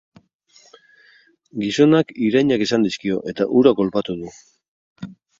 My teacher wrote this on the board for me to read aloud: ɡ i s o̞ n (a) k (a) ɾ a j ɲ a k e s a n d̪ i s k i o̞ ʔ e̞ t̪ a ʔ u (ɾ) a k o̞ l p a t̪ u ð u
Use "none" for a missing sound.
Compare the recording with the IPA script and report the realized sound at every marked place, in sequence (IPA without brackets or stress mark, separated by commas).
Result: a, i, ɾ